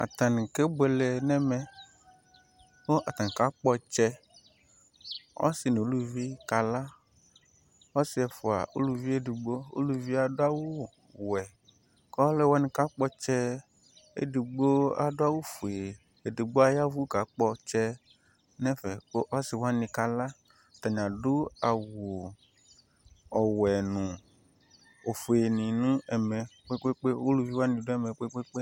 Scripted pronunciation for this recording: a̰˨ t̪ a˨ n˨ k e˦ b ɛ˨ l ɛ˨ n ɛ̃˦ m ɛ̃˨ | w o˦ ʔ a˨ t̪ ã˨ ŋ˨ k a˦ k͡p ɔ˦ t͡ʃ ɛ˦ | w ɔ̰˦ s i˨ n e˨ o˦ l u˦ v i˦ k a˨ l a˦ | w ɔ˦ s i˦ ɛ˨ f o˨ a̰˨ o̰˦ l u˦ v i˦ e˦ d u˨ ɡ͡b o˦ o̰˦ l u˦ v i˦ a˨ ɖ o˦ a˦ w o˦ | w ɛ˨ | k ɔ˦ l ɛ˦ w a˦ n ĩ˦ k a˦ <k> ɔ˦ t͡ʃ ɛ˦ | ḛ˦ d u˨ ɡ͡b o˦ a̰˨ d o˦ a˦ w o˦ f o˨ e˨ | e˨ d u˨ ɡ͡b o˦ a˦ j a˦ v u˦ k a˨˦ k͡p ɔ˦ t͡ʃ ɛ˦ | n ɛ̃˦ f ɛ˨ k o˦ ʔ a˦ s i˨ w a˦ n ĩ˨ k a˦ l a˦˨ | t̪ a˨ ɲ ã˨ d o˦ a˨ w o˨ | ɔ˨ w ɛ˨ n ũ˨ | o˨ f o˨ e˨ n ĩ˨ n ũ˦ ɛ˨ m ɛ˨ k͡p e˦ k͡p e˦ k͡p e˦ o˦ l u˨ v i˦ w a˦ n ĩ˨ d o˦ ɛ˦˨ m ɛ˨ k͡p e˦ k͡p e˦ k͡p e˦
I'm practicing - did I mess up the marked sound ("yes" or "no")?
yes